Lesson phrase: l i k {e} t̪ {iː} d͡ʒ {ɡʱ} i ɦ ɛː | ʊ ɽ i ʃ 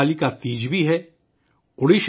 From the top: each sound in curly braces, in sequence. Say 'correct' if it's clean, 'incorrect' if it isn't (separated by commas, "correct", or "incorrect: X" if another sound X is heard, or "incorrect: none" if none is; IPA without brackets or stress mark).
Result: incorrect: a, correct, incorrect: bʱ